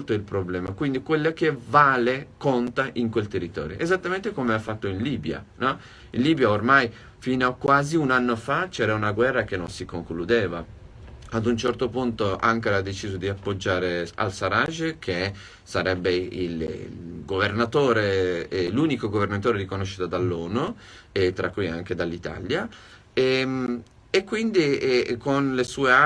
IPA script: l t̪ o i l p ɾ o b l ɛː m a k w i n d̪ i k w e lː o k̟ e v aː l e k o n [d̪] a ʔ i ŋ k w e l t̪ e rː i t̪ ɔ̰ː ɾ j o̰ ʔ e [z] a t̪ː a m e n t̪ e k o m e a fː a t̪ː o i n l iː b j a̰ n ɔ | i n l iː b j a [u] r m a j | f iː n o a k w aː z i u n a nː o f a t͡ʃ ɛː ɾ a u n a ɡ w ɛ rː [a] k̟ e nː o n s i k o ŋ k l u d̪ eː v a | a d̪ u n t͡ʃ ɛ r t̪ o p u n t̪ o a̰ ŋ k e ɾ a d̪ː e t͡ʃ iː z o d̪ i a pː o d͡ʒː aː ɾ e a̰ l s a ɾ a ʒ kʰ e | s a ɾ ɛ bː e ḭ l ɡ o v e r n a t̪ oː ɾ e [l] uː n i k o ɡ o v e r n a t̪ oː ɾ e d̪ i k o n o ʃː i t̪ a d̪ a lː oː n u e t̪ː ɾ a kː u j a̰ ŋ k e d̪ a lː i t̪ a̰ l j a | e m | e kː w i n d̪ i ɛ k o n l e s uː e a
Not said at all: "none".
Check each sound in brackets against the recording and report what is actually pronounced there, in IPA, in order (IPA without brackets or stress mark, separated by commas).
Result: t̪, z, o, a, l